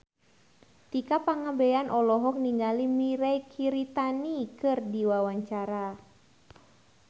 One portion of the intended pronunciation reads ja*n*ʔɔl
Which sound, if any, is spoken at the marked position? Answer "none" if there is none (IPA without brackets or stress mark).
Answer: n